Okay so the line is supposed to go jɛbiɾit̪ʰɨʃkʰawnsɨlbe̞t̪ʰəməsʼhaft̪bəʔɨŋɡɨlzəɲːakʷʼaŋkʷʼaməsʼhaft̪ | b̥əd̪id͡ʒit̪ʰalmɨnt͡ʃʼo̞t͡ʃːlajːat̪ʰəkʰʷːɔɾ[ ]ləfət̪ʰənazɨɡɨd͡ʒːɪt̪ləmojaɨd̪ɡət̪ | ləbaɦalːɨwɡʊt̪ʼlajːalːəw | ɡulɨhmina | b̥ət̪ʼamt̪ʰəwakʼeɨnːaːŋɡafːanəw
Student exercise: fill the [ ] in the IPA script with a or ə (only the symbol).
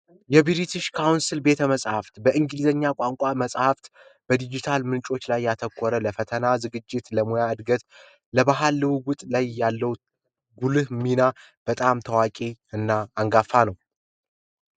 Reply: ə